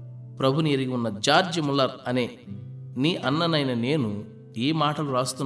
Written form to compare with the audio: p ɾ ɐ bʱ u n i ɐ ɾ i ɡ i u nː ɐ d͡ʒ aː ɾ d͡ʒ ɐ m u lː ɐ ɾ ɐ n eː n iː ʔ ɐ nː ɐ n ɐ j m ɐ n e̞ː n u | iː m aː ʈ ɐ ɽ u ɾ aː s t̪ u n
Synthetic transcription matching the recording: p ɾ ɐ bʱ u n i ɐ ɾ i ɡ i u nː ɐ d͡ʒ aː ɾ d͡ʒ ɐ m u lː ɐ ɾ ɐ n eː n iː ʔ ɐ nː ɐ n ɐ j n ɐ n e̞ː n u | iː m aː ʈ ɐ l u ɾ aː s t̪ u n